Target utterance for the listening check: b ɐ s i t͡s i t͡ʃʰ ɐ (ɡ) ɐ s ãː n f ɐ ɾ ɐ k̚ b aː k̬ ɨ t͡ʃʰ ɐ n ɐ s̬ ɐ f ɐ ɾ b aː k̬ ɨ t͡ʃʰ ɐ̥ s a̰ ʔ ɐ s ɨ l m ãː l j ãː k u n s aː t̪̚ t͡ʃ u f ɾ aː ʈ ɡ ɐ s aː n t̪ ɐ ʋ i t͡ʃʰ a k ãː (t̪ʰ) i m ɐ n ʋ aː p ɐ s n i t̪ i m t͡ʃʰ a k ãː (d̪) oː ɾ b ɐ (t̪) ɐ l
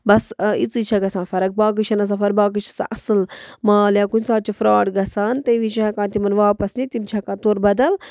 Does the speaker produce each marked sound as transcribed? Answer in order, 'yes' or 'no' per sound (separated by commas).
yes, no, no, no